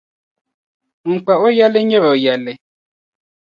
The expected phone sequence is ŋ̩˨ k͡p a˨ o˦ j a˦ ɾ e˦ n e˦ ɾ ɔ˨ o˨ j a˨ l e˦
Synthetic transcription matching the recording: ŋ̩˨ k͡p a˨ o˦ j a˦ l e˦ ɲ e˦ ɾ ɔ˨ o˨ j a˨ l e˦